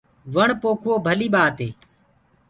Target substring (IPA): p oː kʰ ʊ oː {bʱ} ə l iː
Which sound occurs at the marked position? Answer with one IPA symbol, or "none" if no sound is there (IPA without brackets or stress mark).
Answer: bʱ